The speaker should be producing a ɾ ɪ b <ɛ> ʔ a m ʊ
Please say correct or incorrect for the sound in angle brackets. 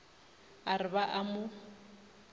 incorrect